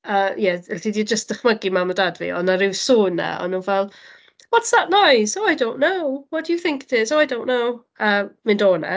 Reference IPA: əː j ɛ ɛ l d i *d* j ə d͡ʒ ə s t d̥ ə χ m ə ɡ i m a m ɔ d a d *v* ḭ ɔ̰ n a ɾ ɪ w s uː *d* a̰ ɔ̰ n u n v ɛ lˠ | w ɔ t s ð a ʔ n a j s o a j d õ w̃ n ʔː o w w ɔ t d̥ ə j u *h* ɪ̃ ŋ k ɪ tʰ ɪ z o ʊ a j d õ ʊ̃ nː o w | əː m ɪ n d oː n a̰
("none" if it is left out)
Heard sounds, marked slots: d, v, n, θ

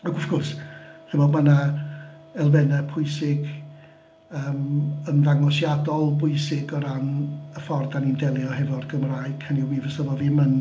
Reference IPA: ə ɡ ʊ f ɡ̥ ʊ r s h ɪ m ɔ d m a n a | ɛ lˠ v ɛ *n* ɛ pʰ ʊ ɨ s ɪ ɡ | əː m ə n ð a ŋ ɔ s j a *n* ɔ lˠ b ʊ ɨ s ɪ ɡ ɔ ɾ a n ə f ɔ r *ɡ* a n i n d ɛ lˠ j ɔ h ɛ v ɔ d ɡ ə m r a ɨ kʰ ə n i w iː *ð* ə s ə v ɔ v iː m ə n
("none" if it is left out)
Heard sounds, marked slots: n, d, d, v

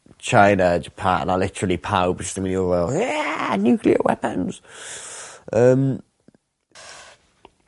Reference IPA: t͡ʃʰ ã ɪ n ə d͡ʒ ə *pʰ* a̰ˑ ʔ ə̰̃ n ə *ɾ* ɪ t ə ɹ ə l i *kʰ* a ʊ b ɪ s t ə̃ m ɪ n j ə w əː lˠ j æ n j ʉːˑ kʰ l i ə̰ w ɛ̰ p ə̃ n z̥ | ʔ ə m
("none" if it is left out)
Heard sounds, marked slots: pʰ, l, pʰ

